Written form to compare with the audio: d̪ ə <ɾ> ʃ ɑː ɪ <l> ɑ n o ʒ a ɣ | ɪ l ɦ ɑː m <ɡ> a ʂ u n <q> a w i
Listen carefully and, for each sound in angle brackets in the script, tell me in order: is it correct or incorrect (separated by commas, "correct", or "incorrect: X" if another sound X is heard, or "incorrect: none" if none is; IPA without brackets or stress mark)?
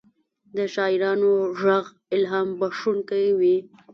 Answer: incorrect: none, incorrect: ɾ, incorrect: b, incorrect: k